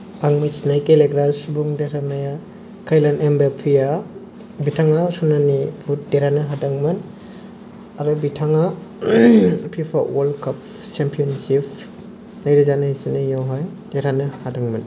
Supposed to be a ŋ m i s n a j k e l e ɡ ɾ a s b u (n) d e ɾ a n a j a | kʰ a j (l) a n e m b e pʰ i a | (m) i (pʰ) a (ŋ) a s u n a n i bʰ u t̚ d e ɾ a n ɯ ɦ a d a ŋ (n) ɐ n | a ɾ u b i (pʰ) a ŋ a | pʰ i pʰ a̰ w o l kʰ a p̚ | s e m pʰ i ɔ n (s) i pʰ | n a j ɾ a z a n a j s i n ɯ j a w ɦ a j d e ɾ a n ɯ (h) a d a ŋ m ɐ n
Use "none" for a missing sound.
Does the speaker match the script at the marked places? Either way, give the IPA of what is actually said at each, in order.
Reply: ŋ, l, b, tʰ, ŋ, m, tʰ, s, h

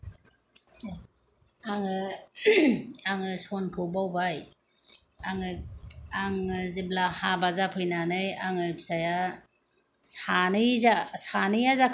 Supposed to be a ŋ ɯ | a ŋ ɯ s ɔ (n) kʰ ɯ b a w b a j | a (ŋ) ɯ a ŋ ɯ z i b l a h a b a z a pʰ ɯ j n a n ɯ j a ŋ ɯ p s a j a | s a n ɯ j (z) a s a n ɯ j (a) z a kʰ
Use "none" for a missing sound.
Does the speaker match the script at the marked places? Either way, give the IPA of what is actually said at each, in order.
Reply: n, ŋ, z, a

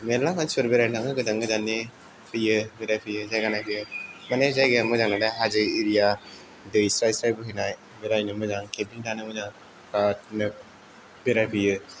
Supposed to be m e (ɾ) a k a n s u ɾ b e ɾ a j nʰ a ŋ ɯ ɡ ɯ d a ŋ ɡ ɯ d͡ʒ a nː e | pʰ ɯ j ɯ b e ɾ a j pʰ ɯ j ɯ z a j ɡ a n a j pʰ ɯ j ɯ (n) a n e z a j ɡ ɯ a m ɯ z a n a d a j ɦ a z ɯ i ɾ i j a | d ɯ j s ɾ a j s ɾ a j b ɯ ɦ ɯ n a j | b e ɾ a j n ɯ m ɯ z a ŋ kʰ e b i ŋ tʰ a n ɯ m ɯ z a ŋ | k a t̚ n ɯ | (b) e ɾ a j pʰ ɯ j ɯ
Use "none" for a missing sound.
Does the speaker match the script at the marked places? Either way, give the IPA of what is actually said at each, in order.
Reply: l, m, b

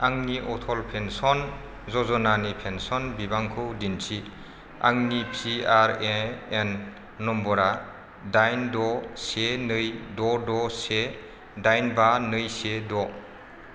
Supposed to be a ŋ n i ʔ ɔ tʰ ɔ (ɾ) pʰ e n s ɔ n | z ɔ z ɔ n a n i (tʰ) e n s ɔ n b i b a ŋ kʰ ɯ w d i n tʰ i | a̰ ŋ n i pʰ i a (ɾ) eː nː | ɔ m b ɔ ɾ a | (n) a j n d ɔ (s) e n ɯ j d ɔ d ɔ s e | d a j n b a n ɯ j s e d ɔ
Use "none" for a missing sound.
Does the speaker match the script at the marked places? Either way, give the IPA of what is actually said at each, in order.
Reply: l, pʰ, ɾ, d, s

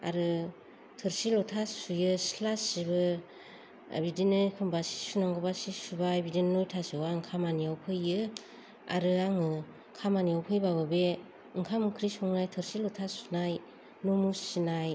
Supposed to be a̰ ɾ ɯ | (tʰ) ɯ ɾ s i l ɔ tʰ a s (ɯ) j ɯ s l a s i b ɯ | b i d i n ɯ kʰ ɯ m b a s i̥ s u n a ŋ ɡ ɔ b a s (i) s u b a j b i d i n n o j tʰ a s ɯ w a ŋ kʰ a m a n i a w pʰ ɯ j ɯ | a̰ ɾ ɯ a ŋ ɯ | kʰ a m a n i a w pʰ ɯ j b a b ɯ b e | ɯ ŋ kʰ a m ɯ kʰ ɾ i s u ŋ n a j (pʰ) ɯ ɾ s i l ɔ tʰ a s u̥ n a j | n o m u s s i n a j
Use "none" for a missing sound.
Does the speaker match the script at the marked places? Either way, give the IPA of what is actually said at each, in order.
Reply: tʰ, u, i, tʰ

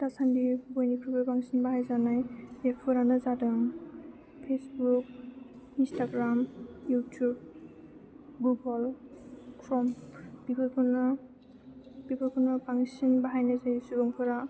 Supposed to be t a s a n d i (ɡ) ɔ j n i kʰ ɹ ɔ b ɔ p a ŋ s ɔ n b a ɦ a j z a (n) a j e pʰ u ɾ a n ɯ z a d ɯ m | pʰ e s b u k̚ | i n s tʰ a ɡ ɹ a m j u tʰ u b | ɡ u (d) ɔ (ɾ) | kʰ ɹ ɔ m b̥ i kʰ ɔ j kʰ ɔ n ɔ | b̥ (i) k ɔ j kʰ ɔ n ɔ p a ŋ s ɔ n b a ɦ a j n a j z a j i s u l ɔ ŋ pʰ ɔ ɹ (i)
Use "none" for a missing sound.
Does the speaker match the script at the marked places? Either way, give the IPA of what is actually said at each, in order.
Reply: b, n, ɡ, l, i, a

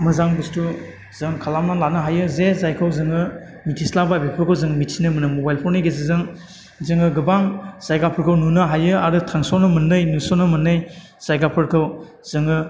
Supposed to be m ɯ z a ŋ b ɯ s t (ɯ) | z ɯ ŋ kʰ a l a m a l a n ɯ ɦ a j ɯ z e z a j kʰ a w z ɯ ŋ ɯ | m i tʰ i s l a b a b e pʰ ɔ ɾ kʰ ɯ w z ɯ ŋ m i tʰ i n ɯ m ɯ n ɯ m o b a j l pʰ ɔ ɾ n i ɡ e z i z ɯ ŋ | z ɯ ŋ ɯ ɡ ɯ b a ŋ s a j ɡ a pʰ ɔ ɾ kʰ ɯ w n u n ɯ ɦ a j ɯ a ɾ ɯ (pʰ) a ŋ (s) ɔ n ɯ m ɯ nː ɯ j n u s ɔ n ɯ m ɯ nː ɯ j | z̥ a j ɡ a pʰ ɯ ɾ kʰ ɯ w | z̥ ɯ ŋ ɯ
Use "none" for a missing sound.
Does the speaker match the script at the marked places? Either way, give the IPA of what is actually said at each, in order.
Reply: u, tʰ, s

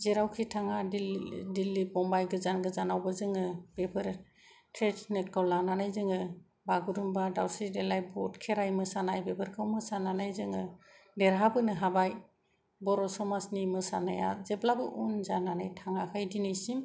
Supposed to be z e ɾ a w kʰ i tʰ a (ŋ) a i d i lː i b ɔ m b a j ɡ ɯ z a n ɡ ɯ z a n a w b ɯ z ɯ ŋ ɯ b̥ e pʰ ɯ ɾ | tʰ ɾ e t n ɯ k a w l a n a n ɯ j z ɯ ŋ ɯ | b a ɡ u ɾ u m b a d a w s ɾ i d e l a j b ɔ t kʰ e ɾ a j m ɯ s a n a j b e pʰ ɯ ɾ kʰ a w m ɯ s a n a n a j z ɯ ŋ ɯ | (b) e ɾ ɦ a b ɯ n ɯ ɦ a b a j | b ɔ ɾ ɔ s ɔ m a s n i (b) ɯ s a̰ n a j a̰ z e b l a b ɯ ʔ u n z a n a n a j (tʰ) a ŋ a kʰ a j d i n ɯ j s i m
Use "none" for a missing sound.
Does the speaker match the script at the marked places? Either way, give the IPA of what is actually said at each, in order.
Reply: ŋ, d, m, tʰ

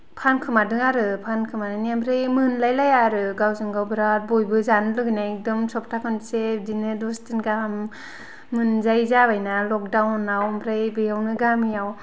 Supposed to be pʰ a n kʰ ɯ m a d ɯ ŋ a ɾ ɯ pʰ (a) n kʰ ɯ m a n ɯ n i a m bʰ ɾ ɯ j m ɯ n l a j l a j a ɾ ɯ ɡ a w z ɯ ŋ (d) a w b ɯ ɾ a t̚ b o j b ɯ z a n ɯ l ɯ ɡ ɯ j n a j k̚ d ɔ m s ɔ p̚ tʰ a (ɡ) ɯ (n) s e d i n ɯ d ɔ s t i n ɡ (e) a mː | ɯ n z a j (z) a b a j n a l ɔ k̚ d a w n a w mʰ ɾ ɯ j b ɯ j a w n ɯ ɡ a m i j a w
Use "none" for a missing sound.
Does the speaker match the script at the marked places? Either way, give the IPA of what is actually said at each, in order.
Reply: a, ɡ, k, n, a, z

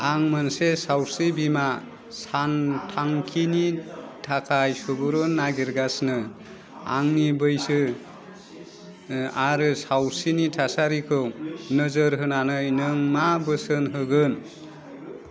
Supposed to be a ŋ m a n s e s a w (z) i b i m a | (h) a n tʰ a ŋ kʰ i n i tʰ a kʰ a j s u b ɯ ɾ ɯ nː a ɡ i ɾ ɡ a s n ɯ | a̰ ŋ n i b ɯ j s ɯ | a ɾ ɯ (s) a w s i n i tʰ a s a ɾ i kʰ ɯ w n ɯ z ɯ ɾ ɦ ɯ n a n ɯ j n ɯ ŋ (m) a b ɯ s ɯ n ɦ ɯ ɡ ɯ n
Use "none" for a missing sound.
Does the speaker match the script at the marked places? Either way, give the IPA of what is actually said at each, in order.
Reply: s, s, s, m

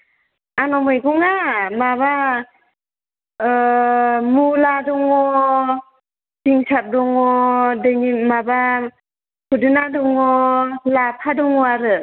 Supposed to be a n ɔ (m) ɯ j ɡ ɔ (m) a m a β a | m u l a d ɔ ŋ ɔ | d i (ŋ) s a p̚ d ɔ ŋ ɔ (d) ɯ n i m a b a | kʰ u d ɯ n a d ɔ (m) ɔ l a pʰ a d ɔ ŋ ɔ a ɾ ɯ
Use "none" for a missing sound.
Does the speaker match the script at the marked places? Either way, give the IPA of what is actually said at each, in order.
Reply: m, ŋ, ŋ, d, ŋ

